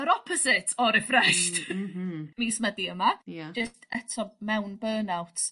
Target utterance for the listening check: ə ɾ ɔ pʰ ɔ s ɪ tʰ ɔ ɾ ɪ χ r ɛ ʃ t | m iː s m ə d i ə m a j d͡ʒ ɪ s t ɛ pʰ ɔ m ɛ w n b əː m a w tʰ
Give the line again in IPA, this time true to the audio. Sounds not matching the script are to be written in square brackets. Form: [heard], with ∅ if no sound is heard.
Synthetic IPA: ə ɾ ɔ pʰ ɔ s ɪ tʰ ɔ ɾ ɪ [f] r ɛ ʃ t | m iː s m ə d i ə m a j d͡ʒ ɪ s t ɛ [tʰ] ɔ m ɛ w n b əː [n] a w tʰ